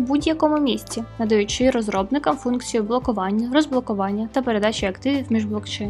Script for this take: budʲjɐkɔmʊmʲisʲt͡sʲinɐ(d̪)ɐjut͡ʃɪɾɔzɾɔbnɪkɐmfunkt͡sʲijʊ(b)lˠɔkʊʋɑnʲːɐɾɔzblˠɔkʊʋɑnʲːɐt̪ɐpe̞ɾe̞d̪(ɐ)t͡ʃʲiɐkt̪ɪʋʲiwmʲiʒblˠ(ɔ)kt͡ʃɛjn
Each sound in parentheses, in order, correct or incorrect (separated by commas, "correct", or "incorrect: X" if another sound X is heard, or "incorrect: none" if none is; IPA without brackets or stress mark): correct, correct, incorrect: ɑ, correct